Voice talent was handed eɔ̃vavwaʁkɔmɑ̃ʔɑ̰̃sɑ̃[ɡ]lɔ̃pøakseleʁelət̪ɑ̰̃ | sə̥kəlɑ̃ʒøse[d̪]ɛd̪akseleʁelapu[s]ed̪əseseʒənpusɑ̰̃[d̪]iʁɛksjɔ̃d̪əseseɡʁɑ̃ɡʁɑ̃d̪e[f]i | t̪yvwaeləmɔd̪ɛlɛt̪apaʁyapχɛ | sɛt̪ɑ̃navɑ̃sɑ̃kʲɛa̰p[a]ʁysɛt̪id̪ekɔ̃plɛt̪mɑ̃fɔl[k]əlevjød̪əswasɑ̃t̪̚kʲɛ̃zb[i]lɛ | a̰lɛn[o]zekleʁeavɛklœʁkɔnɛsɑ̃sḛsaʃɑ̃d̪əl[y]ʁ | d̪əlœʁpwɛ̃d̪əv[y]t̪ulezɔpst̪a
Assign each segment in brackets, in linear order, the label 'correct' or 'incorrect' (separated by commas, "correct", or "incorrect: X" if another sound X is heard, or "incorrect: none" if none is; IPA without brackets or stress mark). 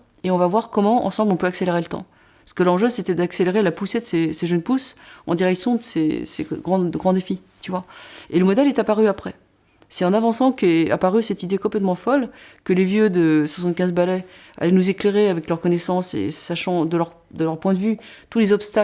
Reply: incorrect: b, incorrect: t̪, correct, correct, correct, correct, correct, incorrect: a, incorrect: u, incorrect: œ, correct